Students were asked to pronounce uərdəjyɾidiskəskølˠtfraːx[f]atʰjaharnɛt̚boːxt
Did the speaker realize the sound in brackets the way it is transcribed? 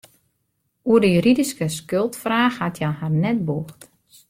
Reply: no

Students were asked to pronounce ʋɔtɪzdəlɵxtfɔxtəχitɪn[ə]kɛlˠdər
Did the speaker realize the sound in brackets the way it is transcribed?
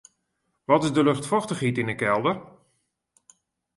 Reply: yes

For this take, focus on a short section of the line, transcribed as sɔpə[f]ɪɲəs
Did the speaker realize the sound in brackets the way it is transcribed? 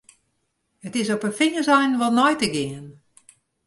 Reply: yes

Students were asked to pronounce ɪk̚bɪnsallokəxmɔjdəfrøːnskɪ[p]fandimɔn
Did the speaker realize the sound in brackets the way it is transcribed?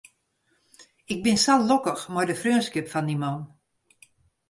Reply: yes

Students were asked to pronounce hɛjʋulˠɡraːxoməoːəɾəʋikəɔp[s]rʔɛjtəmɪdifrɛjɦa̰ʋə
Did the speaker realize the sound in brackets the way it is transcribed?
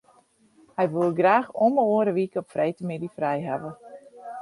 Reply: no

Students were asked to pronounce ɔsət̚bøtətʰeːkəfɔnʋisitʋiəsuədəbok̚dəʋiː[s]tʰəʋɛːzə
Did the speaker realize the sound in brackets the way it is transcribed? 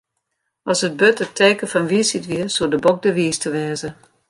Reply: yes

